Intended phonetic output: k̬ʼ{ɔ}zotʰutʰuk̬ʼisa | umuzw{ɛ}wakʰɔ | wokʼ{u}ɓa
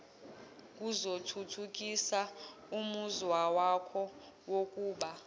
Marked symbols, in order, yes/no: no, no, no

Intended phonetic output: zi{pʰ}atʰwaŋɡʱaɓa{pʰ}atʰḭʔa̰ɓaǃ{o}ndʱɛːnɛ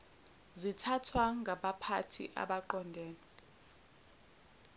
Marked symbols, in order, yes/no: no, yes, no

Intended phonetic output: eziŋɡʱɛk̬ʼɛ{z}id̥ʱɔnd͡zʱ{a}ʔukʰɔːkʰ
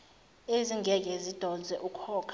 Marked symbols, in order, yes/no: yes, no

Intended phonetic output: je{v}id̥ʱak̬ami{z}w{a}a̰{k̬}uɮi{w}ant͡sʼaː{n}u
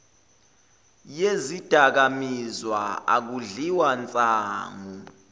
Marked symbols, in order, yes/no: no, yes, yes, yes, yes, no

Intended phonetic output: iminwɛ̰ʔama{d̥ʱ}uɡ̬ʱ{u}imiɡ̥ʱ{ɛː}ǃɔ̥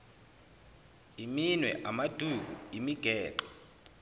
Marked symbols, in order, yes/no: yes, yes, yes

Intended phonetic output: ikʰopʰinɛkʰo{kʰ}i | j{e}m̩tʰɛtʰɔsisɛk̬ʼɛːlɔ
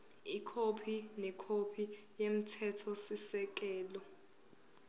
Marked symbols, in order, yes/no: no, yes

